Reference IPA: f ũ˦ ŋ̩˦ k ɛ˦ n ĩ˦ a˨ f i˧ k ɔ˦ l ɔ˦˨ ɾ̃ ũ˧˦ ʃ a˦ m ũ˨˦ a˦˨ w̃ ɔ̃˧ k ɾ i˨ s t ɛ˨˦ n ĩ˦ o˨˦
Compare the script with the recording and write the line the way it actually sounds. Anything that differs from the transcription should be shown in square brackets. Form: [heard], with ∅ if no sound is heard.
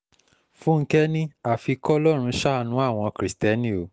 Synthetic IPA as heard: f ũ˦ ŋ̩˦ k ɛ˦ n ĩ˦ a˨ f i˧ k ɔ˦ l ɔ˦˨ ɾ̃ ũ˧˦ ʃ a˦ [n] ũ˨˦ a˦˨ w̃ ɔ̃˧ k ɾ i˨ s t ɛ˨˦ n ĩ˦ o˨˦